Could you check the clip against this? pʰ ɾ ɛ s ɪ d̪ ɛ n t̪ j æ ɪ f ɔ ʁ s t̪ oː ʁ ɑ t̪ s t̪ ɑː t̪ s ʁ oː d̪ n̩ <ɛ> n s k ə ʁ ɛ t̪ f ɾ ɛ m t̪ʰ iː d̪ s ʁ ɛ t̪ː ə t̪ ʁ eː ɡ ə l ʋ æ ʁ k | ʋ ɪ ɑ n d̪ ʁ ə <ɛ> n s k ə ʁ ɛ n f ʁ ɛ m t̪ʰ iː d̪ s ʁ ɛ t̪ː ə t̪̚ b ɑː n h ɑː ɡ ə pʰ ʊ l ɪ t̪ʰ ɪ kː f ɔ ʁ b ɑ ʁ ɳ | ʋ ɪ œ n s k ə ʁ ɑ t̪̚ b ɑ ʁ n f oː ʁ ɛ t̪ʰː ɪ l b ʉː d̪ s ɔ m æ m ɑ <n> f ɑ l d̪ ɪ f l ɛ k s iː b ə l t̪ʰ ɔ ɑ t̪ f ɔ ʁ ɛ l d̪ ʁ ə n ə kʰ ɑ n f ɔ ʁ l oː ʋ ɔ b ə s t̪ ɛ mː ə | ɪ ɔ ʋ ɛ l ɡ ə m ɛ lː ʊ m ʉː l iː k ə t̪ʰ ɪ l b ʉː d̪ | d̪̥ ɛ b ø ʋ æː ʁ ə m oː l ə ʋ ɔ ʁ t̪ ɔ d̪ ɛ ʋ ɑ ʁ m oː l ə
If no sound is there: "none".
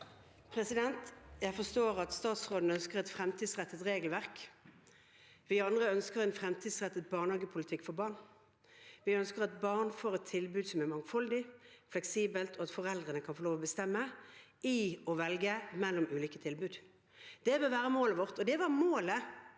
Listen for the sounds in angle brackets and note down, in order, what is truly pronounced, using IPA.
œ, œ, ŋ

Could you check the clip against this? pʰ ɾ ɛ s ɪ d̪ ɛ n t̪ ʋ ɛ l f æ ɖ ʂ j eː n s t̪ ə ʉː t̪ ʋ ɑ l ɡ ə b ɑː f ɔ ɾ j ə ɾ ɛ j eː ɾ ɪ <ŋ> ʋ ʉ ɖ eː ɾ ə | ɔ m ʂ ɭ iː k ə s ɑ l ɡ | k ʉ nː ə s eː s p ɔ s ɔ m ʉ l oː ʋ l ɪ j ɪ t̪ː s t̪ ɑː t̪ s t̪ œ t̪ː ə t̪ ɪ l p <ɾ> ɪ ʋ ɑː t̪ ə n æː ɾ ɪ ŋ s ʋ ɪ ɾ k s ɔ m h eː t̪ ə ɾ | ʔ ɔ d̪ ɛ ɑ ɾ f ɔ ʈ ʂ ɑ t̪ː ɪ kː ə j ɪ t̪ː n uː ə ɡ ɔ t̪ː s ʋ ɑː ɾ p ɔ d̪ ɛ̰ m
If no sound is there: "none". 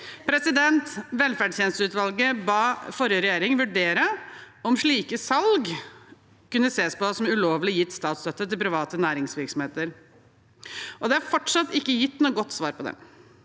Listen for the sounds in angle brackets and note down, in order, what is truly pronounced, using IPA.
ŋ, ɾ

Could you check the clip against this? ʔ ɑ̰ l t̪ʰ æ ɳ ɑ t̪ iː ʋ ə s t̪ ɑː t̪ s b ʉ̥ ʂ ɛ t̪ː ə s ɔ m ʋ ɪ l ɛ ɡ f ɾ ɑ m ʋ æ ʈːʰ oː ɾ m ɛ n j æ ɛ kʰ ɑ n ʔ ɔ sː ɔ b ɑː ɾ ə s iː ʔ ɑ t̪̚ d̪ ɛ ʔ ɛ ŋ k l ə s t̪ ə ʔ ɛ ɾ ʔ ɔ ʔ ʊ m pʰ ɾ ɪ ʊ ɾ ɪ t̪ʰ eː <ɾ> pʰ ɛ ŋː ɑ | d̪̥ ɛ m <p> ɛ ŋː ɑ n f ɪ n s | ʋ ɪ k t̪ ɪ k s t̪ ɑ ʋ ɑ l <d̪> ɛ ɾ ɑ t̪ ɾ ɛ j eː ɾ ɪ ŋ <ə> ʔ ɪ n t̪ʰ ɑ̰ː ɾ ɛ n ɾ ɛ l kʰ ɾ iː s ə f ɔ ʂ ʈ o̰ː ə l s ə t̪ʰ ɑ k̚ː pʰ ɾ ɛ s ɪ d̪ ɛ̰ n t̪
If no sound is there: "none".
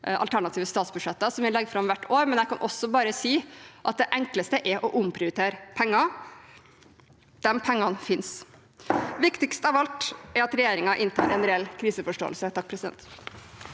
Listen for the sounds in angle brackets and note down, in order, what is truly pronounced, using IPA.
ɾ, pʰ, t̪, ɑ

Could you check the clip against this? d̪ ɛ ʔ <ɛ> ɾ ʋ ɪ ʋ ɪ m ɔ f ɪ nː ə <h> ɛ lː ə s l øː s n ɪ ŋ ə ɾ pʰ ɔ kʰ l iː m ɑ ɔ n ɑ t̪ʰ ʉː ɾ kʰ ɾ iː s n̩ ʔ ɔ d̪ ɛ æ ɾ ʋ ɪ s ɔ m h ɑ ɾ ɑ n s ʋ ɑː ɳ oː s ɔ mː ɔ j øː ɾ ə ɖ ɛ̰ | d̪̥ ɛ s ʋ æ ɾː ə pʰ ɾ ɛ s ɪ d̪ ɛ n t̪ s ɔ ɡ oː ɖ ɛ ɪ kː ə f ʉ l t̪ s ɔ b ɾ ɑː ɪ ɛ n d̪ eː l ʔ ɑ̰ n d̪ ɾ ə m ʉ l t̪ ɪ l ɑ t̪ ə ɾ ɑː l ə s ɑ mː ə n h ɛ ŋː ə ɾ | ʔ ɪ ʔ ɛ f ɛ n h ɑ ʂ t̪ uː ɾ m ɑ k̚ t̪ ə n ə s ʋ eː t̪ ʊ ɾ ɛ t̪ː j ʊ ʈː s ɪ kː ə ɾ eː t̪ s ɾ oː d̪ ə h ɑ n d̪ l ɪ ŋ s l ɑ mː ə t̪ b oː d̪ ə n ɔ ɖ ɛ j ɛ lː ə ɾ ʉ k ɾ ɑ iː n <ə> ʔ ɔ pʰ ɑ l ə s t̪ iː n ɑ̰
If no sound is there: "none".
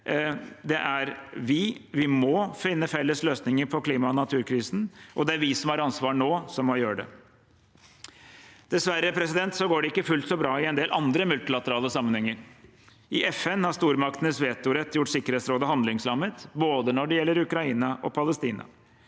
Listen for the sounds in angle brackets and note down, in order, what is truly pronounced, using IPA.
æ, f, ɑ

